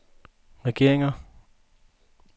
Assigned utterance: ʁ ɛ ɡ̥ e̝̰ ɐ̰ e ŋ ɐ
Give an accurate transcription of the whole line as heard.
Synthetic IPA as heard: ʁ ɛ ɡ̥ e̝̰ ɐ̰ e ŋ ɐ